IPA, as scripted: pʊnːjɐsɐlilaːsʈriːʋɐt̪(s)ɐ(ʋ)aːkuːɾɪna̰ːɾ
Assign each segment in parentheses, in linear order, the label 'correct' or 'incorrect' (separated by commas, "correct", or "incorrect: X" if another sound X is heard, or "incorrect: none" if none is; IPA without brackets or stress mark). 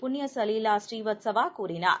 correct, correct